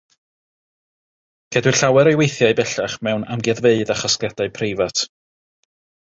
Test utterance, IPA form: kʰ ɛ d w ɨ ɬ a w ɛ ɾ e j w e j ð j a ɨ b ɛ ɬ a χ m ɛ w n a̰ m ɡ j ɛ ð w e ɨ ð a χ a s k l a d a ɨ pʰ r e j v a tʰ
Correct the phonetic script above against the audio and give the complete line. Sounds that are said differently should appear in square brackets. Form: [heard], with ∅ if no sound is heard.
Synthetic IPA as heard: kʰ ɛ d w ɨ ɬ a w ɛ ɾ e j w e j [θ] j a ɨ b ɛ ɬ a χ m ɛ w n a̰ m ɡ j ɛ ð [v] e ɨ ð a χ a s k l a d a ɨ pʰ r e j v a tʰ

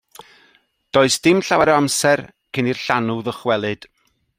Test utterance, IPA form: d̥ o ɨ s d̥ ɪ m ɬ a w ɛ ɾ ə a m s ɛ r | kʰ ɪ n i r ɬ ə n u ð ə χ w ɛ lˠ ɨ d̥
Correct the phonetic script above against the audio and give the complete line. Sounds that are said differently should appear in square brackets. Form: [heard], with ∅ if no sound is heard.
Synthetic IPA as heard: d̥ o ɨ s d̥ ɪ m ɬ a w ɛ ɾ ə a m s ɛ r | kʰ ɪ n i r ɬ [a] n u ð ə χ w ɛ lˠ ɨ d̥

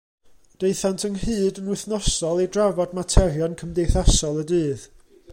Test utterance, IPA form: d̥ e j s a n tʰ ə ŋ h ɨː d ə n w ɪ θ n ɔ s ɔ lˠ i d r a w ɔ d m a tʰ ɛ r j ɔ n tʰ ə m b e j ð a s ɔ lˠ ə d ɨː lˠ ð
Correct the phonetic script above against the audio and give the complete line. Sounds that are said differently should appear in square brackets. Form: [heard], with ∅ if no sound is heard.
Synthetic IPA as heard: d̥ e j [θ] a n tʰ ə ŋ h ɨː d ə n w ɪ θ n ɔ s ɔ lˠ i d r a [v] ɔ d m a tʰ ɛ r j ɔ n [kʰ] ə m [d] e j [θ] a s ɔ lˠ ə d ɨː [∅] ð

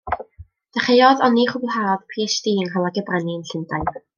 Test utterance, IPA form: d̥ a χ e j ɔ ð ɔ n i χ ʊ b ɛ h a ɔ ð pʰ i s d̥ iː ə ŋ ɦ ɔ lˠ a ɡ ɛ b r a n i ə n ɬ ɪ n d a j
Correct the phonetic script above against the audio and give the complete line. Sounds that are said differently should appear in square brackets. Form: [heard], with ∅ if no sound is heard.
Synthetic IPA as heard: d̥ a χ e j ɔ ð ɔ n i χ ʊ b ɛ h a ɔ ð pʰ i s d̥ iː ə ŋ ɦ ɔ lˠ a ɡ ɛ b r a n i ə n ɬ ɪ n d a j

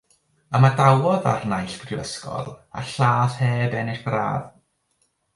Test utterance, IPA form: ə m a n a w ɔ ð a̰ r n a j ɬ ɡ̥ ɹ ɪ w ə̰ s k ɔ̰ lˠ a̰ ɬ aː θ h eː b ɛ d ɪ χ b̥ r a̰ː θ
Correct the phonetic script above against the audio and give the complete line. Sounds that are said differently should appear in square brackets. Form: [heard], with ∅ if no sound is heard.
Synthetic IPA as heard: ə m a [d] a w ɔ ð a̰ r n a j ɬ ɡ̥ [r] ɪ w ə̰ s k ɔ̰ lˠ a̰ ɬ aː θ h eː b ɛ [n] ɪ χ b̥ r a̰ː [ð]

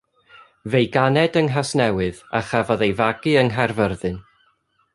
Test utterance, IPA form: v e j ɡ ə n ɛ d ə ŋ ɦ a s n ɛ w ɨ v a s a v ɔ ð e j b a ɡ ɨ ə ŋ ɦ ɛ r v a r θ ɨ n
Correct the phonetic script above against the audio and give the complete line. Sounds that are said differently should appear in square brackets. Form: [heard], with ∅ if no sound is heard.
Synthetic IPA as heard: v e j ɡ [a] n ɛ d ə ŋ ɦ a s n ɛ w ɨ [ð] a [χ] a v ɔ ð e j [v] a ɡ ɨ ə ŋ ɦ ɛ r v [ə] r [ð] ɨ n

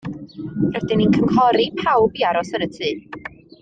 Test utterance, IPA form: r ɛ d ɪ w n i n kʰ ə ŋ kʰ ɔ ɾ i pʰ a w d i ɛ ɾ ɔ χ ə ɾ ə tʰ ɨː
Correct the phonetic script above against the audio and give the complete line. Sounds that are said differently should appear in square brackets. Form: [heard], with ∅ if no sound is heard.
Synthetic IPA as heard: r ɛ d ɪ [∅] n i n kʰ ə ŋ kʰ ɔ ɾ i pʰ a w [b] i [a] ɾ ɔ [s] ə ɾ ə tʰ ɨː

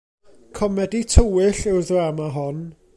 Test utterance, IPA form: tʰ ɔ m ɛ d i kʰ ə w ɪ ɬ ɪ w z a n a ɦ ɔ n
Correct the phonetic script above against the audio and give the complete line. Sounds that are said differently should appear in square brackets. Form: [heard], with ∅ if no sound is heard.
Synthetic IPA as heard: [kʰ] ɔ m ɛ d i [tʰ] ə w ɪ ɬ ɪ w [ð] a [m] a ɦ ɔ n

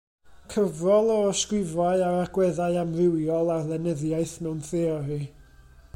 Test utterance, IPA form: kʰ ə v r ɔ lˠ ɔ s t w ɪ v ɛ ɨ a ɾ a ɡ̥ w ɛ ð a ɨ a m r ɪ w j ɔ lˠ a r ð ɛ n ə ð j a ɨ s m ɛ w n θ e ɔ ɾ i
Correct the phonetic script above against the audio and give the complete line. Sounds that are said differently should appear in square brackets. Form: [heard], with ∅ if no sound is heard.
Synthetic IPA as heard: kʰ ə v r ɔ lˠ ɔ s [k] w ɪ v [a] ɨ a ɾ a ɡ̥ w ɛ ð a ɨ a m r ɪ w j ɔ lˠ a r ð ɛ n ə ð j a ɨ [θ] m ɛ w n θ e ɔ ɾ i

